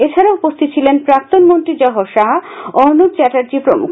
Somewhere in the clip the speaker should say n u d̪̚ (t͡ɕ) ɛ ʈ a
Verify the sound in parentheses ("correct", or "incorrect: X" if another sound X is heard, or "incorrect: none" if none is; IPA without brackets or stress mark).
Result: correct